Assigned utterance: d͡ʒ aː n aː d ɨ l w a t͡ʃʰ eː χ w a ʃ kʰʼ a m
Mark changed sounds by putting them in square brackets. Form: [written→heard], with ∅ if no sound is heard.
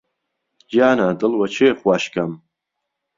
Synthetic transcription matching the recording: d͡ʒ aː n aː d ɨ l w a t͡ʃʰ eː χ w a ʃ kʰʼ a m

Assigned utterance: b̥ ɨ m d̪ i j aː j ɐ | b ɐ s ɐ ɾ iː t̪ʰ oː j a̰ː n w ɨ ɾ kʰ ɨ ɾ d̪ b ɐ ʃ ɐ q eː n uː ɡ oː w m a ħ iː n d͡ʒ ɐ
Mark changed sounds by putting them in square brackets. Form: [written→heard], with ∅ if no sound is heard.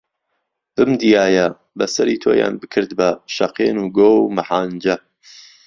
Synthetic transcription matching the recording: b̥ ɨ m d̪ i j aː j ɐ | b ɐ s ɐ ɾ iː t̪ʰ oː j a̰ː n [w→b] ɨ [ɾ→∅] kʰ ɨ ɾ d̪ b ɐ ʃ ɐ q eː n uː ɡ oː w m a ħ [iː→aː] n d͡ʒ ɐ

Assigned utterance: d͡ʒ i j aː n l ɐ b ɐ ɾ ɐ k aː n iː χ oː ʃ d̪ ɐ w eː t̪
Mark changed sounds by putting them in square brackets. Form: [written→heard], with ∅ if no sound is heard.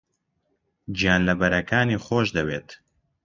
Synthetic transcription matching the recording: d͡ʒ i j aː n l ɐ b ɐ ɾ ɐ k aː n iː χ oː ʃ d̪ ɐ w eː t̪

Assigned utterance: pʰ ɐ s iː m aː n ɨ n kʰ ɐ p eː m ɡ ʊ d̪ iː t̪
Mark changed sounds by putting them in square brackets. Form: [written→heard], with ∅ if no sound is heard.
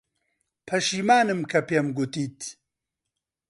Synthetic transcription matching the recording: pʰ ɐ [s→ʃ] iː m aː n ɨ [n→m] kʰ ɐ p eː m ɡ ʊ [d̪→t̪] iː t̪

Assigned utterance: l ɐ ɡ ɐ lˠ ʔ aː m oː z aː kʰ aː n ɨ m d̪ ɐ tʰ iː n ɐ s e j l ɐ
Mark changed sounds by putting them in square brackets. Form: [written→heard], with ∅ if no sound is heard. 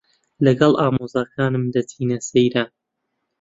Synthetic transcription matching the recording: l ɐ ɡ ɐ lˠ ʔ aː m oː z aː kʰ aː n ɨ m d̪ ɐ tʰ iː n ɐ s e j [l→ɾ] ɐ

